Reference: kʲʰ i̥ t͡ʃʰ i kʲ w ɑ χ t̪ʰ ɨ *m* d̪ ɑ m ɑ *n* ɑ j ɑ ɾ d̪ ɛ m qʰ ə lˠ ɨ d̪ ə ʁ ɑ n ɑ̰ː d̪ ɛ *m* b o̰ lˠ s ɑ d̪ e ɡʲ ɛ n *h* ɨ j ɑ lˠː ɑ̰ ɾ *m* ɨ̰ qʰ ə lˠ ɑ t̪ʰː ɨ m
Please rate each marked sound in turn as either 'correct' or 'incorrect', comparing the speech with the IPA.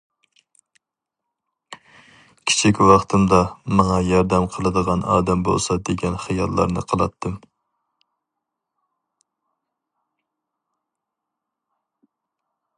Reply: correct, incorrect, correct, incorrect, incorrect

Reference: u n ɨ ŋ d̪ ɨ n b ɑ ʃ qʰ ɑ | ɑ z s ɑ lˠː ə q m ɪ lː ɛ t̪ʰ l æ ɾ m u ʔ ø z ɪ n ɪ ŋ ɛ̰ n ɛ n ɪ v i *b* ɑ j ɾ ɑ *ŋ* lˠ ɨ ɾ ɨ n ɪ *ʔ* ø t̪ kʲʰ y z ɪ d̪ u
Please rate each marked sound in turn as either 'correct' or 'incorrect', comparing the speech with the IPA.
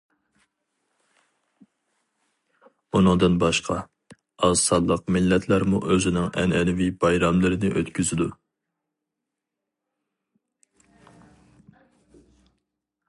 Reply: correct, incorrect, correct

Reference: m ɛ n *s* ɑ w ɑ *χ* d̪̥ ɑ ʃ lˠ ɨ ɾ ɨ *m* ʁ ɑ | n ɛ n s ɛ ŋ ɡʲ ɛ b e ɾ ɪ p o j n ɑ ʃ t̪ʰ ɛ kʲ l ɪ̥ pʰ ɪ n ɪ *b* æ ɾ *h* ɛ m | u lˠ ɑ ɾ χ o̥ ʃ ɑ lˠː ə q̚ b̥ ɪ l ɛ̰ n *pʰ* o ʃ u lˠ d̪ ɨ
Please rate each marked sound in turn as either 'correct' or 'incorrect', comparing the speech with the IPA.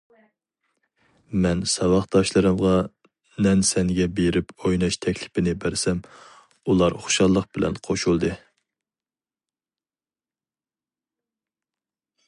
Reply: correct, correct, correct, correct, incorrect, incorrect

